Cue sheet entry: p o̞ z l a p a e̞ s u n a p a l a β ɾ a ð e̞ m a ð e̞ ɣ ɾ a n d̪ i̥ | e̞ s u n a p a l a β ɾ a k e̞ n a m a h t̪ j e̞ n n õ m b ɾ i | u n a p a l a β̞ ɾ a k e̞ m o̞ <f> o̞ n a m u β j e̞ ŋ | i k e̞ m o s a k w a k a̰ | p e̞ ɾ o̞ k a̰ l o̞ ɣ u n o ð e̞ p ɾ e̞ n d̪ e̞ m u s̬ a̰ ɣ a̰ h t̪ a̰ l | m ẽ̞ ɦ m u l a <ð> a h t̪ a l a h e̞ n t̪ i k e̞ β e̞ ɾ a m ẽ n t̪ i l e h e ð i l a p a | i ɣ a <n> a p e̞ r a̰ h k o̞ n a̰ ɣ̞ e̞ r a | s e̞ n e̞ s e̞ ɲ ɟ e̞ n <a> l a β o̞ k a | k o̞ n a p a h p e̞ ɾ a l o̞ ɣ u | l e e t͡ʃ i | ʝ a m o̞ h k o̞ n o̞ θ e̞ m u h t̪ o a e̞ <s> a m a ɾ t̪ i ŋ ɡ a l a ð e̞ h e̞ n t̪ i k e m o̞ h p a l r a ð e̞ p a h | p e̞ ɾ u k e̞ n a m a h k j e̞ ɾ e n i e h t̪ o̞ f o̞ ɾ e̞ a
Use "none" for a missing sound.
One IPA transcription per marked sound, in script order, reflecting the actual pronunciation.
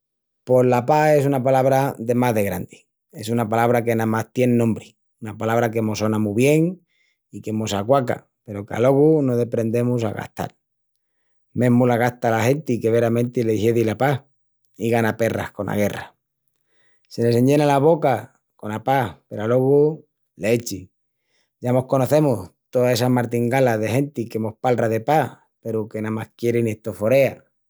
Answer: s, ɣ, n, a, s

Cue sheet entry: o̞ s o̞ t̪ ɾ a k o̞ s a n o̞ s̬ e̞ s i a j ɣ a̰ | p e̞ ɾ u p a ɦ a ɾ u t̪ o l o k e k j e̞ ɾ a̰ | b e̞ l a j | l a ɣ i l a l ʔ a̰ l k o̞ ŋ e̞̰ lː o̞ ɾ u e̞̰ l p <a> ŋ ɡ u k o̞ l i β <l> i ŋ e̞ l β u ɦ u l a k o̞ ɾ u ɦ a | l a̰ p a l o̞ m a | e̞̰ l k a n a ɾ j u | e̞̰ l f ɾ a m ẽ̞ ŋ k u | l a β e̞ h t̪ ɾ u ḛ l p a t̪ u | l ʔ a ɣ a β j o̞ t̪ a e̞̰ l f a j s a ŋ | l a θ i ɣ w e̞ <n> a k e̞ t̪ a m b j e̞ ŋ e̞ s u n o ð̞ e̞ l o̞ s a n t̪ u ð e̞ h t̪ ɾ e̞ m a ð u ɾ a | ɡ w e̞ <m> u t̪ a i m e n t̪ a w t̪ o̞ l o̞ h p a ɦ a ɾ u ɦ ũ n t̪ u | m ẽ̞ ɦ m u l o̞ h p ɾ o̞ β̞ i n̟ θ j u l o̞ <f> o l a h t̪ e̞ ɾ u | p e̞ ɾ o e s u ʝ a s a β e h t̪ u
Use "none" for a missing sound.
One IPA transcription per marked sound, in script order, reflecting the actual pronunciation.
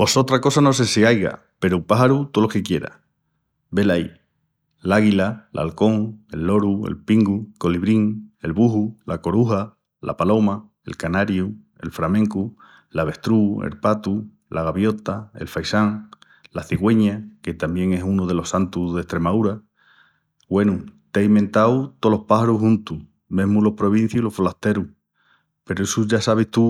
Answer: i, ɾ, ɲ, n, f

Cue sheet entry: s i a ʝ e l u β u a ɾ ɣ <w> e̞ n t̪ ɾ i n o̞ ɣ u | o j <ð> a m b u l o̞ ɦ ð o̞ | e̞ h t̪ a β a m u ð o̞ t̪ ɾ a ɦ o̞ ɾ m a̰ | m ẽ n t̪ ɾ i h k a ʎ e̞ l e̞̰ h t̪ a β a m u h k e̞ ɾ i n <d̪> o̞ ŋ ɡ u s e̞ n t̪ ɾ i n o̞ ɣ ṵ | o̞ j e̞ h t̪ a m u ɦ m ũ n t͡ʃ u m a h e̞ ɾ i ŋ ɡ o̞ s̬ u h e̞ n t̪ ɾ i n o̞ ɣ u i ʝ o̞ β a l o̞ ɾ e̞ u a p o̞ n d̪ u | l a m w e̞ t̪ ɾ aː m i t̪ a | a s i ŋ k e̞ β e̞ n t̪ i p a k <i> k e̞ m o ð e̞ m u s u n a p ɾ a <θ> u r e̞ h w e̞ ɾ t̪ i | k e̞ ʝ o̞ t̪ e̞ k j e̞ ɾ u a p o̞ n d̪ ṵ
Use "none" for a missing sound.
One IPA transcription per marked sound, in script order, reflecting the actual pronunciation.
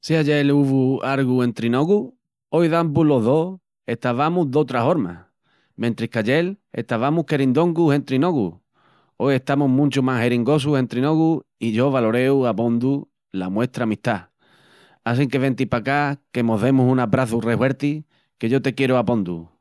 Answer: u, ð, d̪, a, θ

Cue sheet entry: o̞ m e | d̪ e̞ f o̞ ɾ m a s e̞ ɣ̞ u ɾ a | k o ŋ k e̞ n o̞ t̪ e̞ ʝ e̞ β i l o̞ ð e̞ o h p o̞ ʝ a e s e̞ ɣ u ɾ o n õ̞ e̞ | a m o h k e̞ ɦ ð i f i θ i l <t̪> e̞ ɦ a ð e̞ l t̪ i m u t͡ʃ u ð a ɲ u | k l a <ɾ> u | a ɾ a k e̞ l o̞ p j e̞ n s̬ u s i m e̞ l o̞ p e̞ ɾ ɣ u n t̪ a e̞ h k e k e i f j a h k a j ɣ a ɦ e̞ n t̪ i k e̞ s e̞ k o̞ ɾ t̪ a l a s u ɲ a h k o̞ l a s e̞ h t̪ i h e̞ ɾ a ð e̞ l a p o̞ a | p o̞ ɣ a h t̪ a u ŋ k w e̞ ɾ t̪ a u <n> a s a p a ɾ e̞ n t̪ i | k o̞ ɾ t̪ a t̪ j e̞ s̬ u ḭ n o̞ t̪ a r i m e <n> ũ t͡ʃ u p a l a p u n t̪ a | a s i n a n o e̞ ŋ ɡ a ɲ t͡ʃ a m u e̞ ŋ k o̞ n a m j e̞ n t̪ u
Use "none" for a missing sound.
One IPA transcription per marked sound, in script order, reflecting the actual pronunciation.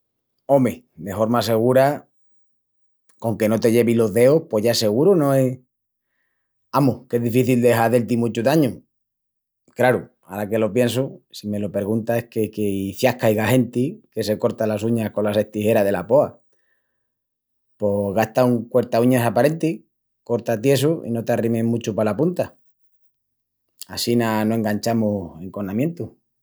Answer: d̪, ɾ, ɲ, m

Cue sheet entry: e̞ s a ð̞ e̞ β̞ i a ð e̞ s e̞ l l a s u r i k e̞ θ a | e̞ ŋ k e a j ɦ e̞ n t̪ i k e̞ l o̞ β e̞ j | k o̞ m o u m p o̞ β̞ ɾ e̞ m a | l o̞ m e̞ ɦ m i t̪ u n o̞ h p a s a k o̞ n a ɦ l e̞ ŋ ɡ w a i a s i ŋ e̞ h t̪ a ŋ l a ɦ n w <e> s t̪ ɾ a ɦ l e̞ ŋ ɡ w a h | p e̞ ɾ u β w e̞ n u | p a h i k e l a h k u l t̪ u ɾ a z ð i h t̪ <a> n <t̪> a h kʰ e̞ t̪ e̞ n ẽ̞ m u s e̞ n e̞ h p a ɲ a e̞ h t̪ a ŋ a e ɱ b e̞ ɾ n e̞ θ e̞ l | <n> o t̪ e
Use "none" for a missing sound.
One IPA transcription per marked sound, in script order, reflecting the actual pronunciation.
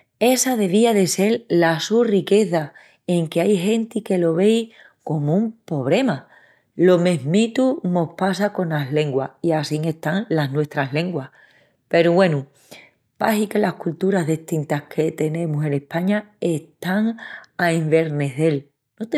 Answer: e, i, t̪, n

